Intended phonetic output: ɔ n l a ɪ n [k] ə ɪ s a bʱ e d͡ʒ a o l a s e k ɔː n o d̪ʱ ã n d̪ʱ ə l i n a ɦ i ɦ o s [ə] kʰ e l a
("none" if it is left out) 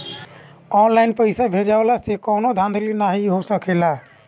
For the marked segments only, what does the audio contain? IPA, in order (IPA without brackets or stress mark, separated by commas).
p, ə